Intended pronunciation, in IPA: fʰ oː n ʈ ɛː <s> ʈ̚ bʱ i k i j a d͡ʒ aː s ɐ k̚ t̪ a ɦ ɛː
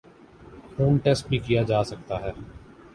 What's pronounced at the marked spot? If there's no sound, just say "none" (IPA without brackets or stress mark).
s